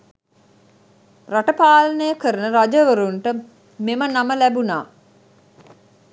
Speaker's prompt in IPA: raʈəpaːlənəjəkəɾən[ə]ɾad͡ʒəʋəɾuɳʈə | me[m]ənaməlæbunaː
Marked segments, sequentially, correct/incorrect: correct, correct

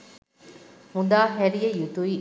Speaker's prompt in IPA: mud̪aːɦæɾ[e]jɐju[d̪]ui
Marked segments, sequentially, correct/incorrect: incorrect, incorrect

